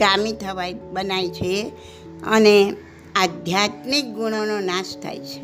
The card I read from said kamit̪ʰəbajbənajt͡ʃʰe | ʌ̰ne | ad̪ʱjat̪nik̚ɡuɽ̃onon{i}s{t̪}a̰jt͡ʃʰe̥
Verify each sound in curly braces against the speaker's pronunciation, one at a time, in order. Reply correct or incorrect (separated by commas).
incorrect, incorrect